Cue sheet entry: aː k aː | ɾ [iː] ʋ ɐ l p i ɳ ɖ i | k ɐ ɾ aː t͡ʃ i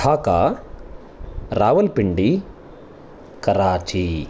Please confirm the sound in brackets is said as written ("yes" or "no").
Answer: no